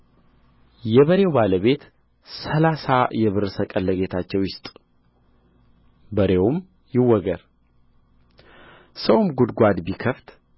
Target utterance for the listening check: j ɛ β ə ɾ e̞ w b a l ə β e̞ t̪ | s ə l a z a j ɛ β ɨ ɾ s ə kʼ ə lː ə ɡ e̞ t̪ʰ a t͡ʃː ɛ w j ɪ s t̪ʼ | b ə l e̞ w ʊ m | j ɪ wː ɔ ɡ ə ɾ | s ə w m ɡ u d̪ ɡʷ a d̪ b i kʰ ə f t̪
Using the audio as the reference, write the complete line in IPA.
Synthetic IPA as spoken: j ɛ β ə ɾ e̞ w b a l ə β e̞ t̪ | s ə l a s a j ɛ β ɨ ɾ s ə kʼ ə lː ə ɡ e̞ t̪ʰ a t͡ʃː ɛ w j ɪ s t̪ʼ | b ə ɾ e̞ w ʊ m | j ɪ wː ɔ ɡ ə ɾ | s ə w m ɡ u d̪ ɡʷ a d̪ b i kʰ ə f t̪

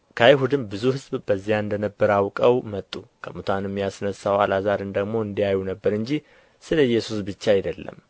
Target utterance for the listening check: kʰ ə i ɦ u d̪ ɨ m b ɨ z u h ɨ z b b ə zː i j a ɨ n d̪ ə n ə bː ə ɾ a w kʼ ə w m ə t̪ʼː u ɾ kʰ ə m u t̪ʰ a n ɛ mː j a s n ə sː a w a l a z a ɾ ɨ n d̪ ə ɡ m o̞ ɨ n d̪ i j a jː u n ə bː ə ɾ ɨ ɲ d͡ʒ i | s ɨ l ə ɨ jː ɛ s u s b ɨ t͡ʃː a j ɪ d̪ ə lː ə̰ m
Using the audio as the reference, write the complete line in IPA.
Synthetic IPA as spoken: kʰ ə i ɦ u d̪ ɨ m b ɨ z u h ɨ z b b ə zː i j a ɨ n d̪ ə n ə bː ə ɾ a w kʼ ə w m ə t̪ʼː u kʰ ə m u t̪ʰ a n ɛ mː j a s n ə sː a w a l a z a ɾ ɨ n d̪ ə ɡ m o̞ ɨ n d̪ i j a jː u n ə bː ə ɾ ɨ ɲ d͡ʒ i | s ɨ l ə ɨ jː ɛ s u s b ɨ t͡ʃː a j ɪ d̪ ə lː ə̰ m

